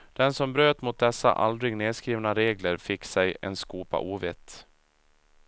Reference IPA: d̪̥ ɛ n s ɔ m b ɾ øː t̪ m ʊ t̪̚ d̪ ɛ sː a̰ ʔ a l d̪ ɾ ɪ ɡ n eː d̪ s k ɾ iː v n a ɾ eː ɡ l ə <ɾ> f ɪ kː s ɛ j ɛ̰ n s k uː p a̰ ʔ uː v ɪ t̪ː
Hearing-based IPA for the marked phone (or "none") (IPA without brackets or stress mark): ɾ